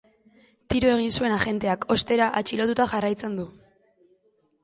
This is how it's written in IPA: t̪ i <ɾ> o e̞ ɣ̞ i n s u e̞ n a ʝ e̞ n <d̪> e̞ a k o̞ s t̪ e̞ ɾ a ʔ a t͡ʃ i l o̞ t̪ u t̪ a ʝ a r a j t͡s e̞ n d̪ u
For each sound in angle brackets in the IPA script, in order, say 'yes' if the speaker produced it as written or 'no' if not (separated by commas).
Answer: yes, no